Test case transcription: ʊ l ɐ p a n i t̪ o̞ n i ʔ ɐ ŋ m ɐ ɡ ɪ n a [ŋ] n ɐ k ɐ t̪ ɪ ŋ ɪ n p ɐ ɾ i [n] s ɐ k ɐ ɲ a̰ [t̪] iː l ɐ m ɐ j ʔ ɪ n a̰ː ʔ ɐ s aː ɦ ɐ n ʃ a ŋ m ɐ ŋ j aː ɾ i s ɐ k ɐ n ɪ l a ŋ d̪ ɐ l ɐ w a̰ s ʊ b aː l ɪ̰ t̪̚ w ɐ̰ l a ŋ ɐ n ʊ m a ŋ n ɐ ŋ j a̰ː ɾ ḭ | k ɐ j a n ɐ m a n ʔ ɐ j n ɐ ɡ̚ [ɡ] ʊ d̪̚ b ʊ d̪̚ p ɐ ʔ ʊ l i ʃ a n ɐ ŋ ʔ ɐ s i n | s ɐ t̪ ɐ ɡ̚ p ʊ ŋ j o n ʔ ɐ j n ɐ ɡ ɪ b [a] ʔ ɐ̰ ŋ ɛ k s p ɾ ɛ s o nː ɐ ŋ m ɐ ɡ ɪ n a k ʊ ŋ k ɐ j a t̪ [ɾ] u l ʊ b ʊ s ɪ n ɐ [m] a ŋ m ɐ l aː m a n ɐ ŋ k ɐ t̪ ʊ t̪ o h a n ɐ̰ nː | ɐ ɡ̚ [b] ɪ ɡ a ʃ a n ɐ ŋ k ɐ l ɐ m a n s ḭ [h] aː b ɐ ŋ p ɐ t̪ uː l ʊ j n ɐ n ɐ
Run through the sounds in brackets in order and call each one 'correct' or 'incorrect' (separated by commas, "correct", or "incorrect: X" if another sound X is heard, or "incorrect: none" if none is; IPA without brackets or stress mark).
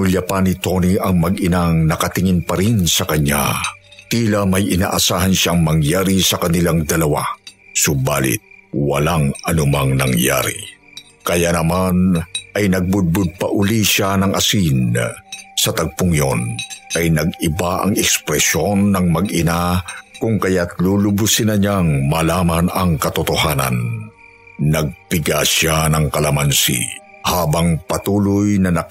correct, correct, correct, incorrect: b, correct, incorrect: l, incorrect: ɲ, incorrect: p, correct